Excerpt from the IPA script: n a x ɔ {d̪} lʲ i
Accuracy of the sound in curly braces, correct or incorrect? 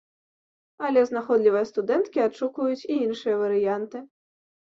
correct